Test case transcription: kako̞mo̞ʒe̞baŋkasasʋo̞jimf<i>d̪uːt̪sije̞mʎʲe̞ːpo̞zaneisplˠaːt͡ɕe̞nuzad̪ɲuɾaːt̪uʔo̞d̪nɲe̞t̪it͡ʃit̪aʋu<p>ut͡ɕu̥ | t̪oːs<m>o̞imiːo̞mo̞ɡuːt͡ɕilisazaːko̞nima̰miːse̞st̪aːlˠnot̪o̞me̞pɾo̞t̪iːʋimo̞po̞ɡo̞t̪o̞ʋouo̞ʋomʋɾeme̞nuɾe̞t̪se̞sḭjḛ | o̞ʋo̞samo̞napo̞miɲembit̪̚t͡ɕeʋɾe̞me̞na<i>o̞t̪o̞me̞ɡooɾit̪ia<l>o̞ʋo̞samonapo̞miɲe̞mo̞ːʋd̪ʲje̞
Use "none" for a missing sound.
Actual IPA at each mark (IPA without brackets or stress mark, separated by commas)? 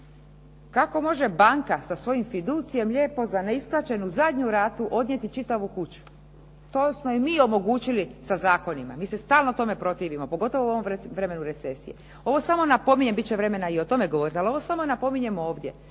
i, k, m, i, l